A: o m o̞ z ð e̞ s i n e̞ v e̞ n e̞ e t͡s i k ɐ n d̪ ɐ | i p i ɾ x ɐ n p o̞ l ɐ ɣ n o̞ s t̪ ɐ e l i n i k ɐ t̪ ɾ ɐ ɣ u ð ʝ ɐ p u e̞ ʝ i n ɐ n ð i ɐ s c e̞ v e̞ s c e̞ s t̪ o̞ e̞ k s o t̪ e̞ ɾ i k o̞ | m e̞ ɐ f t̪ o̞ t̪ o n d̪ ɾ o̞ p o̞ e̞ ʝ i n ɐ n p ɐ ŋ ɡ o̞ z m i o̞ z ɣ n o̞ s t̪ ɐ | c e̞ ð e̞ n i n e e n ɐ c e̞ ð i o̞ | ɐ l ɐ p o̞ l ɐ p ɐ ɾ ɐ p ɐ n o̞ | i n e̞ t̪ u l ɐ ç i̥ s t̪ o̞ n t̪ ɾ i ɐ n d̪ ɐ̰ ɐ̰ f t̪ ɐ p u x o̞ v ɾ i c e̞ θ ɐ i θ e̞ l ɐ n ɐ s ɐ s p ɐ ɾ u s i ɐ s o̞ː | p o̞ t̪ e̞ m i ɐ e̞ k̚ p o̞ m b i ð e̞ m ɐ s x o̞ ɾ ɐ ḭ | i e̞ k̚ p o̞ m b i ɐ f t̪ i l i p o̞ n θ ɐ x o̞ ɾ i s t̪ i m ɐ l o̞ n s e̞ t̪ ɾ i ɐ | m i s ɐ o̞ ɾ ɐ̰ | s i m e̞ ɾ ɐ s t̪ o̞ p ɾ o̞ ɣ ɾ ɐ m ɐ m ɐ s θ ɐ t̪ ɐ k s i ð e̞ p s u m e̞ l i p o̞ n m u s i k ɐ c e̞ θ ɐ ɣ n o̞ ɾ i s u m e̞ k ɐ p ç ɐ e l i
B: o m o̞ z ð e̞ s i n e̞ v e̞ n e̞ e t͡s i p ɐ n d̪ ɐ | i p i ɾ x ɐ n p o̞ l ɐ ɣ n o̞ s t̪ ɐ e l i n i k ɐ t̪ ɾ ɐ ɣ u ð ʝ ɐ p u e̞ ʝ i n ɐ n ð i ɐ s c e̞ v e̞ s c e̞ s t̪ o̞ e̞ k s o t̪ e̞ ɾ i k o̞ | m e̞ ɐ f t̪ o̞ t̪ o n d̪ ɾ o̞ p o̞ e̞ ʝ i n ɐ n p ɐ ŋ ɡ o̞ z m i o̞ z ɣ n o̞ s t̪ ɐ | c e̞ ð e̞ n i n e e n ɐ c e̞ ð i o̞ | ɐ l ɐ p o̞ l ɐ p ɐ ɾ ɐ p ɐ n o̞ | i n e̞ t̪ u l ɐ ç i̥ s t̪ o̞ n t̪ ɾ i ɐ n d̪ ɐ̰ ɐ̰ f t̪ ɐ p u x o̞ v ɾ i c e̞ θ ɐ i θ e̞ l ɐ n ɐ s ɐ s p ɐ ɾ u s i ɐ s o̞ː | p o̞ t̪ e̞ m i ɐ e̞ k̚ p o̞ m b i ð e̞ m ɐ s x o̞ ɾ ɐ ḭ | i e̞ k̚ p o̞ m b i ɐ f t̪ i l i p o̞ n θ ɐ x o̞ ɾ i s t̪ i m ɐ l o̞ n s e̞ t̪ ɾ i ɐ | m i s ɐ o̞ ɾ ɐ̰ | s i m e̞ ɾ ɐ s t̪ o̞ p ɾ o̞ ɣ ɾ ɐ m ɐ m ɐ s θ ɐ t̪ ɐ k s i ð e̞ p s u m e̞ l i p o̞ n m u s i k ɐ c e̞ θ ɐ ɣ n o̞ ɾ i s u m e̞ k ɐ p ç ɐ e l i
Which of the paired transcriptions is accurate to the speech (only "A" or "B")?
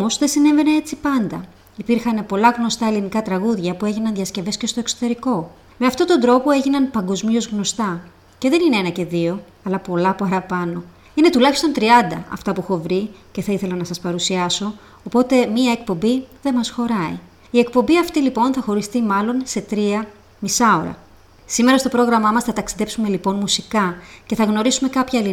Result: B